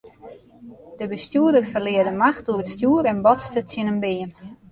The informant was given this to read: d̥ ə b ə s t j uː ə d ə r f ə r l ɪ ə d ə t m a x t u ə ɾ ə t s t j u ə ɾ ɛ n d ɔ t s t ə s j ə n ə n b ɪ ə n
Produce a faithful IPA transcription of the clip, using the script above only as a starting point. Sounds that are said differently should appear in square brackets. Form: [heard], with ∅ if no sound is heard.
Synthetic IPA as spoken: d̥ ə b ə s t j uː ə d ə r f ə r l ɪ ə d ə [∅] m a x t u ə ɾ ə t s t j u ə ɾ ɛ n [b] ɔ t s t ə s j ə n ə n b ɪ ə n